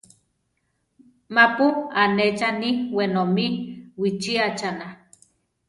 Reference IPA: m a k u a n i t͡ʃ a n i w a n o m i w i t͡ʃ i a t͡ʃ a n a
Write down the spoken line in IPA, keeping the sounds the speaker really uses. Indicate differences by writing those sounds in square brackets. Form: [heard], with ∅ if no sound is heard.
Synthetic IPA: m a [p] u a n [e] t͡ʃ a n i w [e] n o m i w i t͡ʃ i a t͡ʃ a n a